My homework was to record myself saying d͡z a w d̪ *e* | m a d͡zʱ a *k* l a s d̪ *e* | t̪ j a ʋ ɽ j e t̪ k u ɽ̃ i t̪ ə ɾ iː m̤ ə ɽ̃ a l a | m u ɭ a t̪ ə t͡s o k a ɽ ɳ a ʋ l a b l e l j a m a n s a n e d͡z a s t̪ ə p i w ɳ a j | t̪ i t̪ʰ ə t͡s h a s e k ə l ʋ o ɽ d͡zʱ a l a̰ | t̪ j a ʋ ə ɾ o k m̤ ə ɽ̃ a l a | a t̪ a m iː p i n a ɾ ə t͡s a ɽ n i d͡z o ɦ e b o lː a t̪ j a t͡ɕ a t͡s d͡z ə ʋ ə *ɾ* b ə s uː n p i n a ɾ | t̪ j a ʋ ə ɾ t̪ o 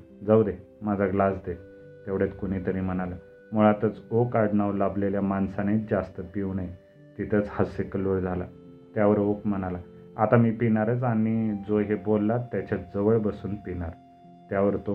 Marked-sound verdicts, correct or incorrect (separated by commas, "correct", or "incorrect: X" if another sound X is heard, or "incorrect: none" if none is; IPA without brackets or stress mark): correct, incorrect: ɡ, correct, incorrect: ɭ